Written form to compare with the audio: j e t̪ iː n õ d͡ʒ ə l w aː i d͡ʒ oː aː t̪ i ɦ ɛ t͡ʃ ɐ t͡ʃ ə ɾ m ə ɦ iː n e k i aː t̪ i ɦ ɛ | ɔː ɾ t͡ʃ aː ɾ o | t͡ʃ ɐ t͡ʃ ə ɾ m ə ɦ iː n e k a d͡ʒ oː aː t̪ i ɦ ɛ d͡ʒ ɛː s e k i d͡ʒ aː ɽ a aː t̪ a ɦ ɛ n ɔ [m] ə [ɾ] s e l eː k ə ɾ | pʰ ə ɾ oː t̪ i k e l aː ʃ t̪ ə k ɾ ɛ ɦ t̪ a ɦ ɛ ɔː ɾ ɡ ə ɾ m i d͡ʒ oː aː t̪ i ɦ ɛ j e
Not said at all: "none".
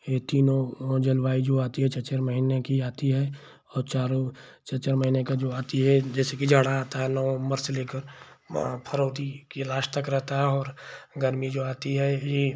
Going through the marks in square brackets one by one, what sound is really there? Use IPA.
m, ɾ

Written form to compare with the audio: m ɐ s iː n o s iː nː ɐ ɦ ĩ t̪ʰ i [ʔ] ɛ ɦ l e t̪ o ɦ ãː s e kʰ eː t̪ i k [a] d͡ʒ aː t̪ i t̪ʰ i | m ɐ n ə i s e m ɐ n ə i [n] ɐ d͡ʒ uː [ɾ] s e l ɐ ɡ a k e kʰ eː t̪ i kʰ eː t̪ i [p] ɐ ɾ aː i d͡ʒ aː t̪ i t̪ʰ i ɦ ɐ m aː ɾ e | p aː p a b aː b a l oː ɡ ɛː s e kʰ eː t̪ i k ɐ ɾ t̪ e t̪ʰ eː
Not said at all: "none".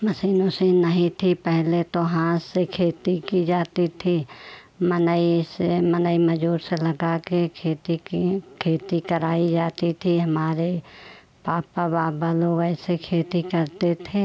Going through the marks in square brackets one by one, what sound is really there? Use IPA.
p, i, m, ɾ, k

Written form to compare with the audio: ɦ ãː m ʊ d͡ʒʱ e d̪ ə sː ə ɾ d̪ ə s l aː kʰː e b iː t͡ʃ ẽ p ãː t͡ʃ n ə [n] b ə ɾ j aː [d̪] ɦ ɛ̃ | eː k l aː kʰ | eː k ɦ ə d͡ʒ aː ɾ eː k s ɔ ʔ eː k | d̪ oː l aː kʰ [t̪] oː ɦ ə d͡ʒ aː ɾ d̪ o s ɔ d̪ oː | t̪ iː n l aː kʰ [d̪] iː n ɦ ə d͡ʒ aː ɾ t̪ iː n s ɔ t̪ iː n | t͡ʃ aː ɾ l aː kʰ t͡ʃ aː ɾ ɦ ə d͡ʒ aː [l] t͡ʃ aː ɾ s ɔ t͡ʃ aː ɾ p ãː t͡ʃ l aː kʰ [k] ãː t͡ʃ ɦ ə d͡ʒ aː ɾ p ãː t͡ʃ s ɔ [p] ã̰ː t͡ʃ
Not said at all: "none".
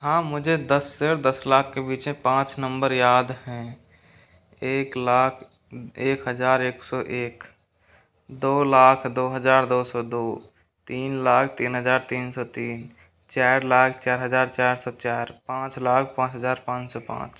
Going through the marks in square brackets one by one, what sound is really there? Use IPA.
m, d̪, d̪, t̪, ɾ, p, p

